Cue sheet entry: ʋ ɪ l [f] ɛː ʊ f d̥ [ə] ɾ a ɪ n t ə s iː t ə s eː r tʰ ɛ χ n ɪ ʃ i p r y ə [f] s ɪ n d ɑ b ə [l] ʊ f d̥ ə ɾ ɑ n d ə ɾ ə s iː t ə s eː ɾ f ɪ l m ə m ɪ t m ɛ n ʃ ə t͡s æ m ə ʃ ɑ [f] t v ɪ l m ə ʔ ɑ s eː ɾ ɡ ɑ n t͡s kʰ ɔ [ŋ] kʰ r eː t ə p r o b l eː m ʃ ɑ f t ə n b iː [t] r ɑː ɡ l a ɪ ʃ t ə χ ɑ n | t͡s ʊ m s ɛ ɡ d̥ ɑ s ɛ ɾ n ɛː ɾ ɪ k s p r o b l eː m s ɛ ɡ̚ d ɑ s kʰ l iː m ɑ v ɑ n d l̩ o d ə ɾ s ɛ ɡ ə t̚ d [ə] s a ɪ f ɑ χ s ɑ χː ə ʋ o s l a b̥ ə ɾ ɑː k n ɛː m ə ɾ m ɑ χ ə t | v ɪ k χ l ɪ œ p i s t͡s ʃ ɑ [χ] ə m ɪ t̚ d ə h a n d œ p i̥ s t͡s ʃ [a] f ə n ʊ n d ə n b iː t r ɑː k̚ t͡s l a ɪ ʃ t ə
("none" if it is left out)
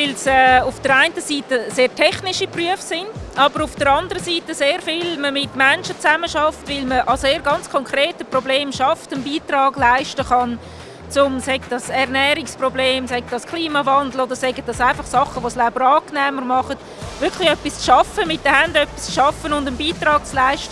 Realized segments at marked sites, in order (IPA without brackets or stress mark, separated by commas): s, ə, f, ɾ, f, ŋ, t, ɑ, f, ɑ